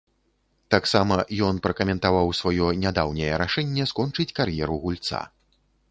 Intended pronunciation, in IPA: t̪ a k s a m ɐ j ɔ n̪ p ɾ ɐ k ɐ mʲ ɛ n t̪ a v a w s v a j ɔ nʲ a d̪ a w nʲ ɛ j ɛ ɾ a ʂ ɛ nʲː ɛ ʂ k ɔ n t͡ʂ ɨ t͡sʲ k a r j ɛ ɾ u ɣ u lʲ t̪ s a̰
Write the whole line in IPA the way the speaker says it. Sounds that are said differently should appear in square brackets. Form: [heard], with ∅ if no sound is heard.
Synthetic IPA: t̪ a k s a m ɐ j ɔ n̪ p ɾ ɐ k ɐ mʲ ɛ n t̪ a v a w s v a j ɔ nʲ a d̪ a w nʲ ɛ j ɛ ɾ a ʂ ɛ nʲː ɛ [s] k ɔ n t͡ʂ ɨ t͡sʲ k a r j ɛ ɾ u ɣ u lʲ t̪ s a̰